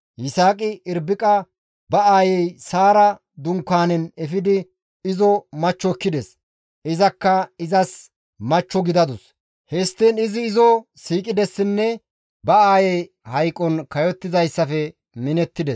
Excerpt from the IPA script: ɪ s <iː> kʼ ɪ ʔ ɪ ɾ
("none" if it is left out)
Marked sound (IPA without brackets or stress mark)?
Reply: aː